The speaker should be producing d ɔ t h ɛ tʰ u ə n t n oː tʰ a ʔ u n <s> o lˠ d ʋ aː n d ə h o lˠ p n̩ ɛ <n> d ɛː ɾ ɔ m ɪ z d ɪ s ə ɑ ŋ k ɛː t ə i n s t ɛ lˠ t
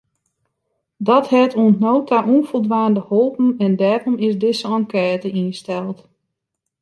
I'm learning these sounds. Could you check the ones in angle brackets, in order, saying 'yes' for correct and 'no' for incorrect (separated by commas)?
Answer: no, yes